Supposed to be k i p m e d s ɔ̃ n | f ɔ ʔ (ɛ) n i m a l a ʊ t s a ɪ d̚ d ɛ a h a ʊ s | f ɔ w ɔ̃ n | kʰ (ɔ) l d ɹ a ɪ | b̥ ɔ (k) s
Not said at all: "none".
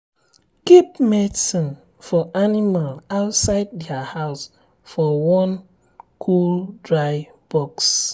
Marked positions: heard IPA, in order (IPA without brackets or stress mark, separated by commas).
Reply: a, u, k